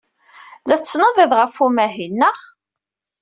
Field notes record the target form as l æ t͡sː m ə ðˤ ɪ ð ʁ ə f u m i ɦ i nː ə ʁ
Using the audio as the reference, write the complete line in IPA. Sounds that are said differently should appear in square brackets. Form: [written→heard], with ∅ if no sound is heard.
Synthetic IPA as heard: l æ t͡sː [m→n] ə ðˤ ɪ ð ʁ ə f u m [i→æ] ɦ i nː ə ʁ